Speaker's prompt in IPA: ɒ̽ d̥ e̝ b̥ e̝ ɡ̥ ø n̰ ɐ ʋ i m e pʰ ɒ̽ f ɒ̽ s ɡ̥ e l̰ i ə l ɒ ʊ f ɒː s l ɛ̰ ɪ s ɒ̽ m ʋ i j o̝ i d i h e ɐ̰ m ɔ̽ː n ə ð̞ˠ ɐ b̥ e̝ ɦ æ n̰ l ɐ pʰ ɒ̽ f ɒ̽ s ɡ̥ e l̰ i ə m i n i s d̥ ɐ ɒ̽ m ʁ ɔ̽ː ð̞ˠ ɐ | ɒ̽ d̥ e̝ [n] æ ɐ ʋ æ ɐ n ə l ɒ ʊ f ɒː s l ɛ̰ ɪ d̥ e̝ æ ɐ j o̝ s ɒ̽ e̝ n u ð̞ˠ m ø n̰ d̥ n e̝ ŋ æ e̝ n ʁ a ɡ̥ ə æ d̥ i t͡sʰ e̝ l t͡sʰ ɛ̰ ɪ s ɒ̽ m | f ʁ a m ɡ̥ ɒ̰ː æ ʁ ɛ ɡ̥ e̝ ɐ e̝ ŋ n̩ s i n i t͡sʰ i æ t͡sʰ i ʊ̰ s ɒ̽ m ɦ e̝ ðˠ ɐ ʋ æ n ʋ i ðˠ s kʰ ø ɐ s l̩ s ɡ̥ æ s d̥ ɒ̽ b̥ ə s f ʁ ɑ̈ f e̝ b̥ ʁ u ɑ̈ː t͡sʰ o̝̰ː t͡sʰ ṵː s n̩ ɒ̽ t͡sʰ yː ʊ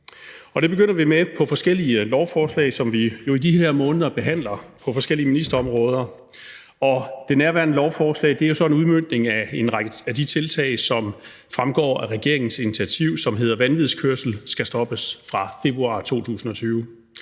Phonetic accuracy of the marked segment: correct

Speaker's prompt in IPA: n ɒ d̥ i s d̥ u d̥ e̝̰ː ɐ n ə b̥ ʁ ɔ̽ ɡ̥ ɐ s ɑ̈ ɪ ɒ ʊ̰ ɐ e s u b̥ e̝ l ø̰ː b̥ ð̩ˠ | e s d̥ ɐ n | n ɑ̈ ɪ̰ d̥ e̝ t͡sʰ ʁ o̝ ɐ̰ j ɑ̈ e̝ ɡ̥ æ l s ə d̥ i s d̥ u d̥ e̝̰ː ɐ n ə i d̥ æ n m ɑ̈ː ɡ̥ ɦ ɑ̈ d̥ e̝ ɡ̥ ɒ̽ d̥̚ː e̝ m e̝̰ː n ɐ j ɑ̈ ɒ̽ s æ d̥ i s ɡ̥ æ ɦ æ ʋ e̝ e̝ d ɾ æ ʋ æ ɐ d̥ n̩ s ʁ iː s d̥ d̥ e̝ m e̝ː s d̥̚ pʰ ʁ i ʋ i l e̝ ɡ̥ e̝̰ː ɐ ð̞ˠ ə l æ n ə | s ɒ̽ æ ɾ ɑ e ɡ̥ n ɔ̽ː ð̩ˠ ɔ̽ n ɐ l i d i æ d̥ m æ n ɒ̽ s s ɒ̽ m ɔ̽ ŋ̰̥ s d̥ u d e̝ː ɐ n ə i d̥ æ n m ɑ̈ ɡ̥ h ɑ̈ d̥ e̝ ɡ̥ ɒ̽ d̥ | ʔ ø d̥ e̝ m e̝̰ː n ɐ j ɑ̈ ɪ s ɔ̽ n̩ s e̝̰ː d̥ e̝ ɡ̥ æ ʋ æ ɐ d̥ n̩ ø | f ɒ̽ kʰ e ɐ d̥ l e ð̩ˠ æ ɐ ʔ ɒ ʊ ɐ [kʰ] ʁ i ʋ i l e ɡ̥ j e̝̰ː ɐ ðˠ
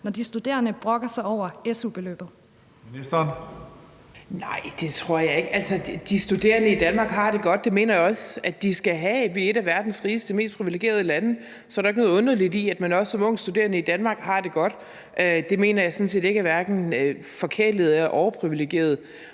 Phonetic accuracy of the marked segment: incorrect: pʰ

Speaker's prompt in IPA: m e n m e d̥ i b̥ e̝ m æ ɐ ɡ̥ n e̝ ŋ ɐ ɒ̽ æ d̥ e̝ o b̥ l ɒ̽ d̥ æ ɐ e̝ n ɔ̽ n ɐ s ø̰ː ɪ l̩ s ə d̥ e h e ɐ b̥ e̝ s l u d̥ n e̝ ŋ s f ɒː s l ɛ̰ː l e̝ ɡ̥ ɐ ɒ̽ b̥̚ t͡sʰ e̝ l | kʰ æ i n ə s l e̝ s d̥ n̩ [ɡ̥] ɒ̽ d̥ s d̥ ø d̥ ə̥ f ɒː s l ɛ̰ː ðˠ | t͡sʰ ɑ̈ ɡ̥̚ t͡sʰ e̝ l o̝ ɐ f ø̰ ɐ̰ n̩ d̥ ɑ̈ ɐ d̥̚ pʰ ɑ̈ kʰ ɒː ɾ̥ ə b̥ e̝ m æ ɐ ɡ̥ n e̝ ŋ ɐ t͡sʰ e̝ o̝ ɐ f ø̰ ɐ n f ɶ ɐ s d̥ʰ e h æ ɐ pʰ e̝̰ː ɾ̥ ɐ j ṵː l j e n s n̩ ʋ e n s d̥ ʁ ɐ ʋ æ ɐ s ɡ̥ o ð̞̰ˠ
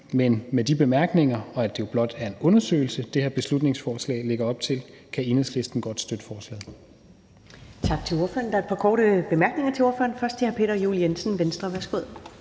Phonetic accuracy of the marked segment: correct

